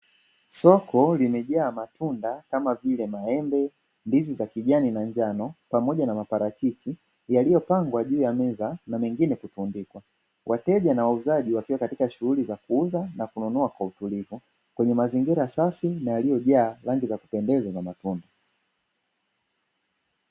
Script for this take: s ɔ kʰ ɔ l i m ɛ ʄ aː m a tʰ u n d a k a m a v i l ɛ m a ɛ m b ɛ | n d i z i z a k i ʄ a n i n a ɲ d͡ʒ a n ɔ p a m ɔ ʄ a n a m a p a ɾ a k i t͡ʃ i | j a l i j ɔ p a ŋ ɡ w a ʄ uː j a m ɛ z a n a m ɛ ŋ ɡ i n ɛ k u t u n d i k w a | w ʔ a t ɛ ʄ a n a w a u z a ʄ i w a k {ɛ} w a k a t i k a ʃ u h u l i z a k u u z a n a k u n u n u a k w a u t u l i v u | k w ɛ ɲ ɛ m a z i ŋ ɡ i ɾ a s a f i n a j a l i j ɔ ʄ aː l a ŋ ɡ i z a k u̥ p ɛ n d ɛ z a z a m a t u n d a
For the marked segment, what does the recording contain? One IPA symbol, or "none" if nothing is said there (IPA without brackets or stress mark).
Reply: i